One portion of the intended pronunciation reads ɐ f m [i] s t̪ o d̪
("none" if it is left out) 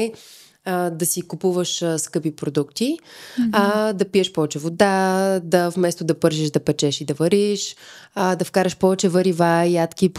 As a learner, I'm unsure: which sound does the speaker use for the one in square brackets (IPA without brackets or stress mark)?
ɛ